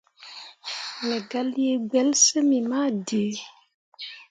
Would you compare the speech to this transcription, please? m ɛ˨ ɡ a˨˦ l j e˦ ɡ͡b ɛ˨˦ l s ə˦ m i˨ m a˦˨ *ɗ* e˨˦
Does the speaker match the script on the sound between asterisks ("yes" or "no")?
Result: no